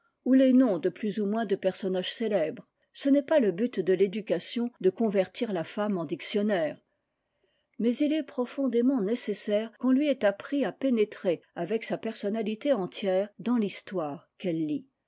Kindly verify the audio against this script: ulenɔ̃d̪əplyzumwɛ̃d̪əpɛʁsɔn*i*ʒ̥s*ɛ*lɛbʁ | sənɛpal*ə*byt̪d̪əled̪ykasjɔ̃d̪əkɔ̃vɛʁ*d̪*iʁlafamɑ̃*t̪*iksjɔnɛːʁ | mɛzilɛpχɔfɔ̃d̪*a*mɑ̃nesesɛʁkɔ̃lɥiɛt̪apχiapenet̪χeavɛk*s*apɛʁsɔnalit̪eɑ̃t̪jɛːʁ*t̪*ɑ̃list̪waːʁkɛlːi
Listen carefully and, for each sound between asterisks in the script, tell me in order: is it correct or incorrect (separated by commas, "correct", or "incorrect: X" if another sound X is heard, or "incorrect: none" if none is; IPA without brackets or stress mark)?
incorrect: a, incorrect: e, correct, incorrect: t̪, incorrect: d̪, incorrect: e, correct, incorrect: d̪